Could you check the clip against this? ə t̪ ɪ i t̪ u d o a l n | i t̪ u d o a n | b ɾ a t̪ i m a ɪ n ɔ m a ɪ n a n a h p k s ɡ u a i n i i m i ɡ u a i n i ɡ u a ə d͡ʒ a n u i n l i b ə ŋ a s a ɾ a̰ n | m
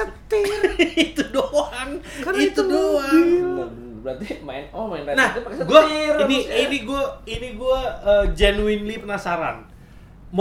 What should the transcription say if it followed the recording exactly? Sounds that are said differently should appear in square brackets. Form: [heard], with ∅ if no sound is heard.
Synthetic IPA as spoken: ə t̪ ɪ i t̪ u d o a [∅] n | i t̪ u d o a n | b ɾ a t̪ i m a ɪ n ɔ m a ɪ n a n a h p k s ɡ u a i n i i [n] i ɡ u a i n i ɡ u a ə d͡ʒ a n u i n l i [p] ə [n] a s a ɾ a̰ n | m